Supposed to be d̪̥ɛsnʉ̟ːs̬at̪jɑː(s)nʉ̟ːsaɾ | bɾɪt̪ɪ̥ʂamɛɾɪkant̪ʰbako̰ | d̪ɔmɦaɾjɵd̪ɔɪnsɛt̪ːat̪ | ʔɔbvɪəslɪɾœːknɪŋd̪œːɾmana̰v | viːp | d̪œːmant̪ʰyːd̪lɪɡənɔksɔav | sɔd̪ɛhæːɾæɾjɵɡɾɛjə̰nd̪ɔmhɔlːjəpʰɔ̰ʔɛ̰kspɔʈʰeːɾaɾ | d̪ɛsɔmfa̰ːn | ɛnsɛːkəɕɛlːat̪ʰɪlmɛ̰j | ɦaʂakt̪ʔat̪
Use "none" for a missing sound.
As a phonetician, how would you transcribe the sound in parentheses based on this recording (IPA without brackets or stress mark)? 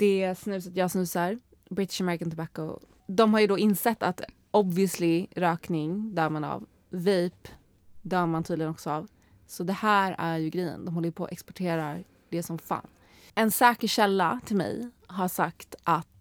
s